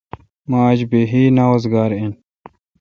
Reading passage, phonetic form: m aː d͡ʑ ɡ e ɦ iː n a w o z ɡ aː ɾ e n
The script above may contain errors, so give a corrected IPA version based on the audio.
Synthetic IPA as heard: m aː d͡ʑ b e ɦ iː n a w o z ɡ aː ɾ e n